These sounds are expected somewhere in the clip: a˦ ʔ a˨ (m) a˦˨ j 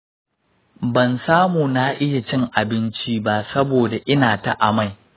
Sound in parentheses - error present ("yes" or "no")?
no